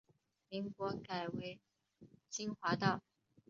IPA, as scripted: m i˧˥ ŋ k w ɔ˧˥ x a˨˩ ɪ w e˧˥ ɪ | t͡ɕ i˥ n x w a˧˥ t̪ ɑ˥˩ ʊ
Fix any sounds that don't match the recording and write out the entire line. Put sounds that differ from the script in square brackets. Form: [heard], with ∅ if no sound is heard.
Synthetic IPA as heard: m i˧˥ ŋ k w ɔ˧˥ [k] a˨˩ ɪ w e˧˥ ɪ | t͡ɕ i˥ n x w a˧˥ t̪ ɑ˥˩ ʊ

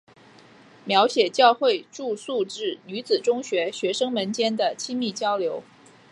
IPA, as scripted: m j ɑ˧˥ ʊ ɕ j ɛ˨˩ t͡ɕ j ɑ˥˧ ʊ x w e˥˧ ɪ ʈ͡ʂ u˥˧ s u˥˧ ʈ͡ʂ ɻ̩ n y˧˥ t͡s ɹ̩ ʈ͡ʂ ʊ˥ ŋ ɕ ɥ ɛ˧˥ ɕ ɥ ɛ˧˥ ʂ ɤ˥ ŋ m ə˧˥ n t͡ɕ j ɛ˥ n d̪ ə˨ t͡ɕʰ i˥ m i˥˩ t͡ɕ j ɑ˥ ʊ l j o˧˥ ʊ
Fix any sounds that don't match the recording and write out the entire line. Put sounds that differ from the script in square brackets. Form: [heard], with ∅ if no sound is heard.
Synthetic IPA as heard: m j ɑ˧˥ ʊ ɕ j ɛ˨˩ t͡ɕ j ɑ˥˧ ʊ x w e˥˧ ɪ ʈ͡ʂ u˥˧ s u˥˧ ʈ͡ʂ ɻ̩ n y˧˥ t͡s ɹ̩ ʈ͡ʂ ʊ˥ ŋ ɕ ɥ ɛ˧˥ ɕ ɥ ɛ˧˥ ʂ ɤ˥ ŋ m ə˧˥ n t͡ɕ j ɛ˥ n d̪ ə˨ t͡ɕʰ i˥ m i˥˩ t͡ɕ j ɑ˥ ʊ l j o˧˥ ʊ

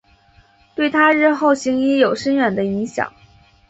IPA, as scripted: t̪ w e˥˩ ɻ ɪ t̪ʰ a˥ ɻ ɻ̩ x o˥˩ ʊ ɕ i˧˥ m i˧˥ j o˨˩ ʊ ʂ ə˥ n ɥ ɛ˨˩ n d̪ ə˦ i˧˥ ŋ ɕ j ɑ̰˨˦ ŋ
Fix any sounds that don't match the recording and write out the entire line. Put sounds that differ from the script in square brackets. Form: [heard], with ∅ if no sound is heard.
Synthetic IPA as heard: t̪ w e˥˩ [∅] ɪ t̪ʰ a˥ ɻ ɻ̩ x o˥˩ ʊ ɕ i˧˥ [ŋ] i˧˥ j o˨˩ ʊ ʂ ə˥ n ɥ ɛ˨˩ n d̪ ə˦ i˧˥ ŋ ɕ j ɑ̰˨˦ ŋ

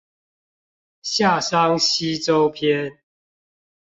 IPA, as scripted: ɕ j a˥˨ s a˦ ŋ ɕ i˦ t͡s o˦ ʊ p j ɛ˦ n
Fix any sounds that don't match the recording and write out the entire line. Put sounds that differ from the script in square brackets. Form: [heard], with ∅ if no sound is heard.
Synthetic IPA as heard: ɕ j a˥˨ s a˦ ŋ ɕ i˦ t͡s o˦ ʊ [pʰ] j ɛ˦ n

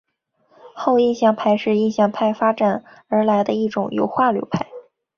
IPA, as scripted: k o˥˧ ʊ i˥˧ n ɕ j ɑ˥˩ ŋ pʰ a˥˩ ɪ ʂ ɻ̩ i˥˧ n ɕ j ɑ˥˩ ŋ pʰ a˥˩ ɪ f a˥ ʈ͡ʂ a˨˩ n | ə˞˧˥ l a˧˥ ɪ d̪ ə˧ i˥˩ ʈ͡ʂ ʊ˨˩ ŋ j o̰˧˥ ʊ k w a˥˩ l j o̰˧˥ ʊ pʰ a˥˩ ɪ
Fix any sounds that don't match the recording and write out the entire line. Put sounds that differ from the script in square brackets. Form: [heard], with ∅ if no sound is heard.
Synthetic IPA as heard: [x] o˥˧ ʊ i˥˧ n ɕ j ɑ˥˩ ŋ pʰ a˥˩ ɪ ʂ ɻ̩ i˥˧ n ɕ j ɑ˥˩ ŋ pʰ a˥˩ ɪ f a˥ ʈ͡ʂ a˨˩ n | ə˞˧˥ l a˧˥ ɪ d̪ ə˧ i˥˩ ʈ͡ʂ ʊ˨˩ ŋ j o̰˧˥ ʊ [x] w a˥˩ l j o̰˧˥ ʊ pʰ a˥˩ ɪ

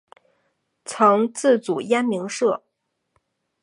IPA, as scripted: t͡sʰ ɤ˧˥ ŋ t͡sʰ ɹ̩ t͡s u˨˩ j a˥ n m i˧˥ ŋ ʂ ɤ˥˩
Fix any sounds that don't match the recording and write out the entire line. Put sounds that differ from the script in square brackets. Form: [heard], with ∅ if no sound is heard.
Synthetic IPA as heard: t͡sʰ ɤ˧˥ ŋ [t͡s] ɹ̩ t͡s u˨˩ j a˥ n m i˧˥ ŋ ʂ ɤ˥˩

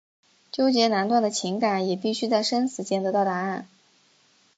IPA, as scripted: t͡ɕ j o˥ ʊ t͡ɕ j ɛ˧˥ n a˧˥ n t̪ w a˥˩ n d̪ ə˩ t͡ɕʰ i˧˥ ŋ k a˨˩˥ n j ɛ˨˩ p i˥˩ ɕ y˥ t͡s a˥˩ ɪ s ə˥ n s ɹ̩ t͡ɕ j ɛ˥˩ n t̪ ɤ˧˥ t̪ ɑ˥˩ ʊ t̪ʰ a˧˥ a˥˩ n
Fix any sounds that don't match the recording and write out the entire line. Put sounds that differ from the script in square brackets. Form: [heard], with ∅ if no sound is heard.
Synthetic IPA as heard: t͡ɕ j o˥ ʊ t͡ɕ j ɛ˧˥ n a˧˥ n t̪ w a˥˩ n d̪ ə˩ t͡ɕʰ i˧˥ ŋ k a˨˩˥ n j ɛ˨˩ p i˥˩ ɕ y˥ t͡s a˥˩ ɪ [ʂ] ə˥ n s ɹ̩ t͡ɕ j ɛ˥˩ n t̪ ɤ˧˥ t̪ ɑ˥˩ ʊ [t̪] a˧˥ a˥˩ n

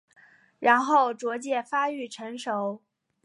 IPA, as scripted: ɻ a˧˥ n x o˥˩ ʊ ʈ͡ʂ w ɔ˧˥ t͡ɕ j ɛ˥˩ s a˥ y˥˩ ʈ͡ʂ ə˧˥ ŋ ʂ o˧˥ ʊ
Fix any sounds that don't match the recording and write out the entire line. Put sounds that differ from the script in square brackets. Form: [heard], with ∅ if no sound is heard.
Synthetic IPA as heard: ɻ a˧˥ n x o˥˩ ʊ ʈ͡ʂ w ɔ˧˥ t͡ɕ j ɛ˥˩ [f] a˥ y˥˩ [ʈ͡ʂʰ] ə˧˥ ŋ ʂ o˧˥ ʊ

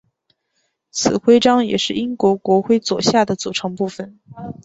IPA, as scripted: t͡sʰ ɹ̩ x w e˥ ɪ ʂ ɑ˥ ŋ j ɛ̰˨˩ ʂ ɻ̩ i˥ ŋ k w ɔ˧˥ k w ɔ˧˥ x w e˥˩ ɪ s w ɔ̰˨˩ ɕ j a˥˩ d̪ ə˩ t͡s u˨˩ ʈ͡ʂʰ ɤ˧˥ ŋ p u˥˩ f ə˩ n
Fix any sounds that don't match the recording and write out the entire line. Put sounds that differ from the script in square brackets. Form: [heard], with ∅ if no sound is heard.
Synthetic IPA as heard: t͡sʰ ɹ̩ x w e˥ ɪ [ʈ͡ʂ] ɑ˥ ŋ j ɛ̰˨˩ ʂ ɻ̩ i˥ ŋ k w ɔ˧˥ k w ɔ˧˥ x w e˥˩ ɪ [t͡s] w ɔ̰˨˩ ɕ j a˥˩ d̪ ə˩ t͡s u˨˩ ʈ͡ʂʰ ɤ˧˥ ŋ p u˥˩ f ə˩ n

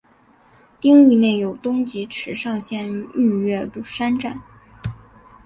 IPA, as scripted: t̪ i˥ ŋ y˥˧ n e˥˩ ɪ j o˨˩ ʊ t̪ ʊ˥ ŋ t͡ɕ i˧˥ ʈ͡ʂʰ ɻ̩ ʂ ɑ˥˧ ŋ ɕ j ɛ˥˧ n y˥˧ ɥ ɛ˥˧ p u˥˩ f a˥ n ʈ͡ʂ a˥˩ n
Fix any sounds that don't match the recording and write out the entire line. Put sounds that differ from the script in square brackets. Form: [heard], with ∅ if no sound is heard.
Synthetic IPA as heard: t̪ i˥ ŋ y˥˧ n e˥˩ ɪ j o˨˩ ʊ t̪ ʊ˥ ŋ t͡ɕ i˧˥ ʈ͡ʂʰ ɻ̩ ʂ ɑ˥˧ ŋ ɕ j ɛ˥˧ n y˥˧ ɥ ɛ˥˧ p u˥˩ [ʂ] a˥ n ʈ͡ʂ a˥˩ n

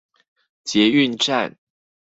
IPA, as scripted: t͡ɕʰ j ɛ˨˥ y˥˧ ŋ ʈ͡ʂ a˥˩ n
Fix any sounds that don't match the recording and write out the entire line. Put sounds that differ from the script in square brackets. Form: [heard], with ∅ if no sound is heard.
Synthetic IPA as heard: [t͡ɕ] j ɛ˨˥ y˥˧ [n] ʈ͡ʂ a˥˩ n

